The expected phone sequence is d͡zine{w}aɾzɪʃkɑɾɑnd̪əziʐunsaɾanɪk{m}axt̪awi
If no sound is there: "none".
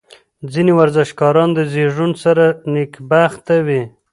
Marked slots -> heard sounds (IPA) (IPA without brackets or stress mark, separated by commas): w, b